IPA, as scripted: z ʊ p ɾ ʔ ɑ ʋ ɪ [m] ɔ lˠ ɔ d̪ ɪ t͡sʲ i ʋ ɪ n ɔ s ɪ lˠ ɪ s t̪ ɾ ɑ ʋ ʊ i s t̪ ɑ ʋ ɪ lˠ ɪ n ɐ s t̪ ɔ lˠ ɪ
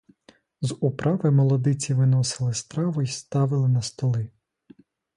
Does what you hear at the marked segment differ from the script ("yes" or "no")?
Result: no